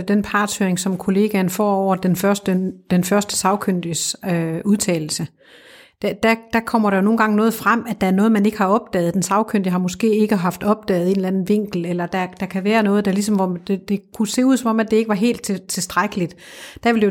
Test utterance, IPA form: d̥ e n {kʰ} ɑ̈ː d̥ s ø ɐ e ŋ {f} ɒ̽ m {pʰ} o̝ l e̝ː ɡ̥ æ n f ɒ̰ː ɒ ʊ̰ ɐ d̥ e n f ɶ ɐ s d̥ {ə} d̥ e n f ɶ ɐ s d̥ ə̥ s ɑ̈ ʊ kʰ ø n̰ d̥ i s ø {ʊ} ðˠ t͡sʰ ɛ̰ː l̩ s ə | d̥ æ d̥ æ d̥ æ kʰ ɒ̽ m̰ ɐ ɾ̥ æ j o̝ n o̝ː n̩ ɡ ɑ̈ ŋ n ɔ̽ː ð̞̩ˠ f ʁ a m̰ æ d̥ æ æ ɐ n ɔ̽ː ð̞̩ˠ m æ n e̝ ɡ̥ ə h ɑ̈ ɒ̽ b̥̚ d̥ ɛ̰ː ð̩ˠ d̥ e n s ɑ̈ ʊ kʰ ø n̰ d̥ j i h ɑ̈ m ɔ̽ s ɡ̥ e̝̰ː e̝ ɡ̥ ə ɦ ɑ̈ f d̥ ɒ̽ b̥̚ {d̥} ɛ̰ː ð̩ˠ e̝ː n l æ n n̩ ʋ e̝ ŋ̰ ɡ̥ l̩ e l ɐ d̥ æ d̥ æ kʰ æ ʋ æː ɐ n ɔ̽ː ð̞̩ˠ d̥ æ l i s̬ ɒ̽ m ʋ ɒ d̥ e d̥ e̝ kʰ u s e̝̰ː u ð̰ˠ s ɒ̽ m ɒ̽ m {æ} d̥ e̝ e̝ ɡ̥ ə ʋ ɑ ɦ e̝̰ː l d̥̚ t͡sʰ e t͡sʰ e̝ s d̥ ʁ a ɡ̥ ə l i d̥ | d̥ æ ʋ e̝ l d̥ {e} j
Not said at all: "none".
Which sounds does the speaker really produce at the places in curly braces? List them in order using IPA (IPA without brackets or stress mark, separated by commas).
pʰ, s, kʰ, ə, u, d̥, æ, e